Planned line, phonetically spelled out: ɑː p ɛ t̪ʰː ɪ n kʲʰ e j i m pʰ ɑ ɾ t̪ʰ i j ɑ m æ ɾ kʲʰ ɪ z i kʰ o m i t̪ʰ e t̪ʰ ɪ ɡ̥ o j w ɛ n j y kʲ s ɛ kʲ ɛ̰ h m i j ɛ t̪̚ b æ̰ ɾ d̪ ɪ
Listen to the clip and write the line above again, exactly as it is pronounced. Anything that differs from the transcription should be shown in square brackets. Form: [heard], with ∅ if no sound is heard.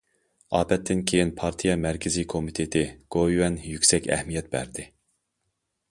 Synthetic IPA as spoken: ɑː p ɛ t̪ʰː ɪ n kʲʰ e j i [n] pʰ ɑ ɾ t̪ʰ i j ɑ m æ ɾ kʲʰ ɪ z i kʰ o m i t̪ʰ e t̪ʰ ɪ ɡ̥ o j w ɛ n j y kʲ s ɛ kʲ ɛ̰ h m i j ɛ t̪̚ b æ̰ ɾ d̪ ɪ